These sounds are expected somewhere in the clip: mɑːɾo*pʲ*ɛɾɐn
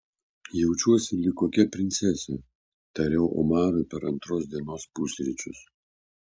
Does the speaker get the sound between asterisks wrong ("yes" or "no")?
no